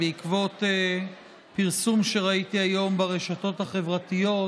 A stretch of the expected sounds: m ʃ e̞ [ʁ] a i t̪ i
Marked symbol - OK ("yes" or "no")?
yes